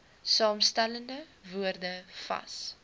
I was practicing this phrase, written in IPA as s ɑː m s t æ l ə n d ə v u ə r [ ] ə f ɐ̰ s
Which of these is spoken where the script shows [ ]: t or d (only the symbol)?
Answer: d